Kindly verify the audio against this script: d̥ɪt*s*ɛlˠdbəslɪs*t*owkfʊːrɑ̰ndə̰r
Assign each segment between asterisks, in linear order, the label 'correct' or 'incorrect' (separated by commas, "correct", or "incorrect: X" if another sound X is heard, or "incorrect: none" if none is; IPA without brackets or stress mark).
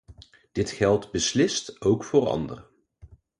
incorrect: χ, correct